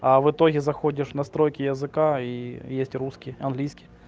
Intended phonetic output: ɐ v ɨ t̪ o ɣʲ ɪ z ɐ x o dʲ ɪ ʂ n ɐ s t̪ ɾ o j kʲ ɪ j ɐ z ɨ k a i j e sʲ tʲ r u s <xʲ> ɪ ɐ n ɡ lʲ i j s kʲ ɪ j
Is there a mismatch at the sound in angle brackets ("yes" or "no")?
yes